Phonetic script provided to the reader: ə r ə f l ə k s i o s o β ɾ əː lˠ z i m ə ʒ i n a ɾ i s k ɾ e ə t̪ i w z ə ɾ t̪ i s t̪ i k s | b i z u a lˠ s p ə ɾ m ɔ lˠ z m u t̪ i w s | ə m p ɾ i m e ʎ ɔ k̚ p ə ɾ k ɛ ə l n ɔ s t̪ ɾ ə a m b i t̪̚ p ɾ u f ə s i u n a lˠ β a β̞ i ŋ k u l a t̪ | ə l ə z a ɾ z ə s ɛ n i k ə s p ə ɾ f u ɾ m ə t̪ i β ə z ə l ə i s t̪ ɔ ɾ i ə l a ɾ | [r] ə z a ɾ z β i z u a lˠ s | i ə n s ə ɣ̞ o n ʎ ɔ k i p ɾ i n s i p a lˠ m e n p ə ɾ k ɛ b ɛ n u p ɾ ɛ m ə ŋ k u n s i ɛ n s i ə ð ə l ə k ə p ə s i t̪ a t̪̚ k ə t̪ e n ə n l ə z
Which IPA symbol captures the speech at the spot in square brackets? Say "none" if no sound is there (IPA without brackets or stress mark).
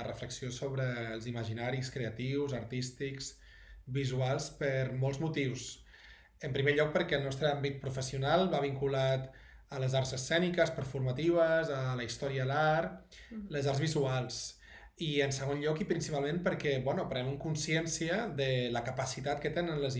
l